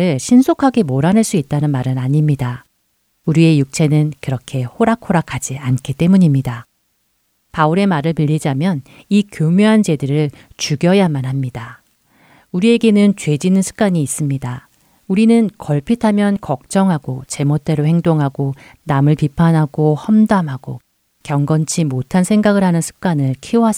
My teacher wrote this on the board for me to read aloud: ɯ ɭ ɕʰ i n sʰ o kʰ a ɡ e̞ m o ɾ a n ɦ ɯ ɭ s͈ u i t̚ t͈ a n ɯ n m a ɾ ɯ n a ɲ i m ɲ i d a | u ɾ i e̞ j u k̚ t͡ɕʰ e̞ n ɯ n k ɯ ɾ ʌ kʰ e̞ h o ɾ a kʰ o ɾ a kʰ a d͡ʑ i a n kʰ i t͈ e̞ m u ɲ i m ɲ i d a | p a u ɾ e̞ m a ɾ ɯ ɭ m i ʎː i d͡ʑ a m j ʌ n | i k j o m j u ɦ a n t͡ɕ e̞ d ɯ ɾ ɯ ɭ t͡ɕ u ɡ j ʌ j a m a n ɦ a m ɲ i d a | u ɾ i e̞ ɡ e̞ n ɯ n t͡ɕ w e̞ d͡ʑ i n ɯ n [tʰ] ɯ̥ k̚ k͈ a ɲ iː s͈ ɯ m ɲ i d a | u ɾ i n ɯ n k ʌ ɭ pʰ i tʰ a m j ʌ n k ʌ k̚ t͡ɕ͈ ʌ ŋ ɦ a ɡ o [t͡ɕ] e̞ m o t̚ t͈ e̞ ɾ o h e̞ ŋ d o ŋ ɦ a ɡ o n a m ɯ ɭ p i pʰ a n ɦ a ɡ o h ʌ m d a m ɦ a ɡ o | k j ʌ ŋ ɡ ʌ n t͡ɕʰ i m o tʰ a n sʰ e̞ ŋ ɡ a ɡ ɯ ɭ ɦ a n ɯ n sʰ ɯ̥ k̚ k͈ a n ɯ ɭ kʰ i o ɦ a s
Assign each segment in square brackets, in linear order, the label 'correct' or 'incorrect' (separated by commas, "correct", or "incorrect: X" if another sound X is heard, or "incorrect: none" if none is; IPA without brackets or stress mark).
incorrect: sʰ, correct